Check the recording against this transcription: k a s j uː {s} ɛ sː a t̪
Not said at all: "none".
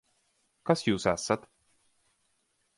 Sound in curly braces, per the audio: s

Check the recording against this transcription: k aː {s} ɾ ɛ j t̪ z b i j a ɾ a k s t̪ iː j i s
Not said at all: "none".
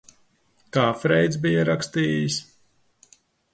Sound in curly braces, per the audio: f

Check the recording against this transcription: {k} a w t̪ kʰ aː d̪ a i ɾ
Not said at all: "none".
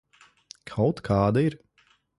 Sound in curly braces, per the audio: kʰ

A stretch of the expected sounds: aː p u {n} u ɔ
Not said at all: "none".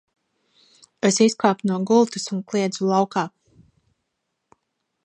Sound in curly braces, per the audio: n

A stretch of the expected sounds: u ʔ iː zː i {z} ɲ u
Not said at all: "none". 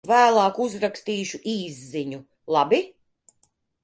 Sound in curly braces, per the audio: none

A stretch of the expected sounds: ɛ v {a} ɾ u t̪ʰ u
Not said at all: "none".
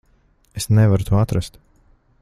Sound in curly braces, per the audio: a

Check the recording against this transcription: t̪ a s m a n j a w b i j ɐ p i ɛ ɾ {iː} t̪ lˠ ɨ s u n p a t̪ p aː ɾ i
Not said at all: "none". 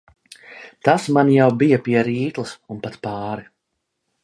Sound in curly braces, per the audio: iː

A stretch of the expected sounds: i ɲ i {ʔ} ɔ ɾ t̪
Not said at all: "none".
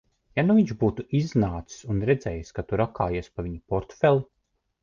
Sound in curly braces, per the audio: p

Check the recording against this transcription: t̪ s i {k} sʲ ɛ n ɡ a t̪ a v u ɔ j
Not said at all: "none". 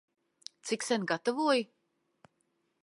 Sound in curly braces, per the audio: k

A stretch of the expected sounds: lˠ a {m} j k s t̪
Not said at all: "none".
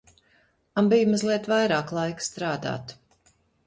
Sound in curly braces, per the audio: none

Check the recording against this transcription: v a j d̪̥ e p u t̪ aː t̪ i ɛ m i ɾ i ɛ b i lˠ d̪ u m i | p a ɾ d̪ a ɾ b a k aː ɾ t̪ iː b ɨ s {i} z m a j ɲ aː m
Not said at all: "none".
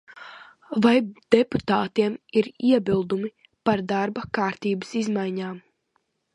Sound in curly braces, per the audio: i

